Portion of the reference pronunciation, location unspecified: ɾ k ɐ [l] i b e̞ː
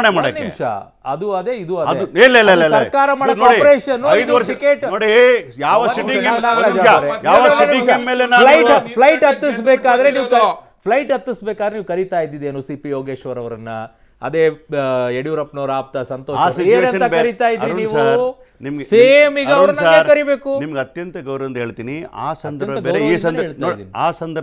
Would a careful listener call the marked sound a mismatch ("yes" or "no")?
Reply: yes